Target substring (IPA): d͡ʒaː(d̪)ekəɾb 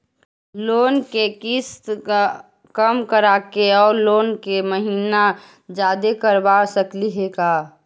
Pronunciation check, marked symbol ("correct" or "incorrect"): correct